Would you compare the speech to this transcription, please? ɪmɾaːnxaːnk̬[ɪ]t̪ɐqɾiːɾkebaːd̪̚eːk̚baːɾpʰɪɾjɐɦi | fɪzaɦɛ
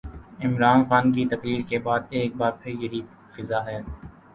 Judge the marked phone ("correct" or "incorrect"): incorrect